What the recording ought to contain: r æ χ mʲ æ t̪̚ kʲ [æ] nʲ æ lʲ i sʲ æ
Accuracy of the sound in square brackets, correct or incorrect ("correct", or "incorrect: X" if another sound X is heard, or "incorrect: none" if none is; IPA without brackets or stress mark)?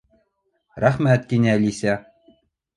incorrect: i